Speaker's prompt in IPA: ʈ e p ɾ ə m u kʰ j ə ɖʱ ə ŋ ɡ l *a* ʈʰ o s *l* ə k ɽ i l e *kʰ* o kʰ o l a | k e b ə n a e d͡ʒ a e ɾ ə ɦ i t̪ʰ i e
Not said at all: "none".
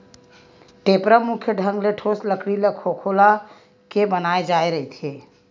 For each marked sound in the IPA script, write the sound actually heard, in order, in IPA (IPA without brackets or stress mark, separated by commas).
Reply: e, l, kʰ